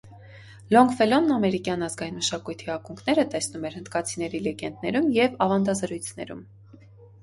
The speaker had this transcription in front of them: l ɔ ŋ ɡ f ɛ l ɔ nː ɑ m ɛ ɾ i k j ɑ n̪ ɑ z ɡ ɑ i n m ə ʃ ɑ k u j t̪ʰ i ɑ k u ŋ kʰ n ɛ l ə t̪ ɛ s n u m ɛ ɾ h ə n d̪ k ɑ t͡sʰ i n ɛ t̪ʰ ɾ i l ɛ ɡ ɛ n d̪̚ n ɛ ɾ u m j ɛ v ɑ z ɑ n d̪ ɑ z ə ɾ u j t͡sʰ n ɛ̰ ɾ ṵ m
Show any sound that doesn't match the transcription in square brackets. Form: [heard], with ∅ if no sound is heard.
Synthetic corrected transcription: l ɔ ŋ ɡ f ɛ l ɔ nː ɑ m ɛ ɾ i k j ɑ n̪ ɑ z ɡ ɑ i n m ə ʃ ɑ k u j t̪ʰ i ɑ k u ŋ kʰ n ɛ [ɾ] ə t̪ ɛ s n u m ɛ ɾ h ə n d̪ k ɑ t͡sʰ i n ɛ [∅] ɾ i l ɛ ɡ ɛ n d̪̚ n ɛ ɾ u m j ɛ v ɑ [v] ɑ n d̪ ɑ z ə ɾ u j t͡sʰ n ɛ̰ ɾ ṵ m